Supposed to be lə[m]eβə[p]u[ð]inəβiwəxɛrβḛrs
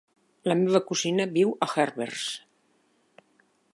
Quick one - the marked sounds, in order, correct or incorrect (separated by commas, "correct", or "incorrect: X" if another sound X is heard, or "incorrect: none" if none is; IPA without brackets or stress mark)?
correct, incorrect: k, incorrect: z